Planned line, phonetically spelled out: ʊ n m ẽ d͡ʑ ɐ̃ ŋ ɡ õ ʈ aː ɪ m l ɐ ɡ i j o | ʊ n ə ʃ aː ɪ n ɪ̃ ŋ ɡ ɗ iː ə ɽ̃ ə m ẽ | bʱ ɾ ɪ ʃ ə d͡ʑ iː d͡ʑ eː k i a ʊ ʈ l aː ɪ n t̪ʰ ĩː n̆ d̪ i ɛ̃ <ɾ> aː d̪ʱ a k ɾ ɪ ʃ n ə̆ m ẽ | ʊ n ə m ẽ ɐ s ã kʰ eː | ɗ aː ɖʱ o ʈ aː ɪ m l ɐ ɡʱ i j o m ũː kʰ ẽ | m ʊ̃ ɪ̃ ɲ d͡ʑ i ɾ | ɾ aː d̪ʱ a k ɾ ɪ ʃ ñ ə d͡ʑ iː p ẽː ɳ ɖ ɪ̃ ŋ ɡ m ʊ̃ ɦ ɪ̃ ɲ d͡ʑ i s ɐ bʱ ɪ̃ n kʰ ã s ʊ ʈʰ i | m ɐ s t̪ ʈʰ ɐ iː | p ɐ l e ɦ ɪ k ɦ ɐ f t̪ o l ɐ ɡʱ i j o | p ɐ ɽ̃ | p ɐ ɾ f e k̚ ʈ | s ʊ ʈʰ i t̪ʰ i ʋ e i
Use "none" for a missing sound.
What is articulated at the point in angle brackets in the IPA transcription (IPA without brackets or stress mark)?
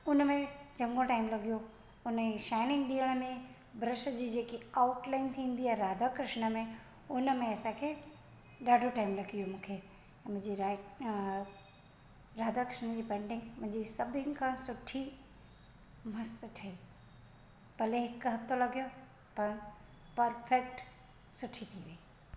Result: ɾ